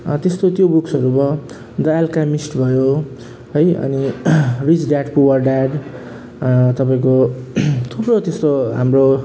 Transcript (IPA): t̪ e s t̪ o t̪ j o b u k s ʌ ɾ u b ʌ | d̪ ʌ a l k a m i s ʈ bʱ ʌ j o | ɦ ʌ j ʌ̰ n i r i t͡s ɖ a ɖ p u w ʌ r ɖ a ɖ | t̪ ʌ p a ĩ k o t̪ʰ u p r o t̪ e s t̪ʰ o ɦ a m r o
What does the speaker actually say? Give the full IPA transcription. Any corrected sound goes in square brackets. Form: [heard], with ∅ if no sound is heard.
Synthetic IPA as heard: t̪ e s t̪ o t̪ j o b u k s ʌ ɾ u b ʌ | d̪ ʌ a l k a m i s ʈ bʱ ʌ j o | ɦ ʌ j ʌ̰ n i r i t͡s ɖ a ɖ p u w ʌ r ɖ a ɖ | t̪ ʌ p a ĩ k o t̪ʰ u p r o t̪ e s [t̪] o ɦ a m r o